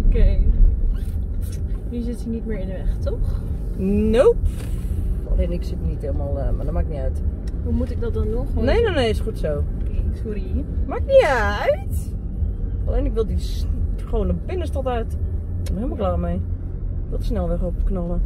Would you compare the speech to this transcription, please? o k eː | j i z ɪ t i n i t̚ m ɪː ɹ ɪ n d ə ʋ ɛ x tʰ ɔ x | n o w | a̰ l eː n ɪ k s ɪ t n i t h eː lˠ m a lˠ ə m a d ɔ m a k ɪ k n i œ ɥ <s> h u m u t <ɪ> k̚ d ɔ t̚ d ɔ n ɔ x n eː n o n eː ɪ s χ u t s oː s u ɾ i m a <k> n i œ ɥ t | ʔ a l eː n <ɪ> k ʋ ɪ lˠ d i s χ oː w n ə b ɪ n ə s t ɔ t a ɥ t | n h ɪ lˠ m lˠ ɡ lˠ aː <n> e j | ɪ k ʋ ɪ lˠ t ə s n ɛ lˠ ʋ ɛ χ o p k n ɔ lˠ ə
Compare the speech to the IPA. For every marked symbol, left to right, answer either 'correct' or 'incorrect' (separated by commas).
incorrect, correct, correct, correct, incorrect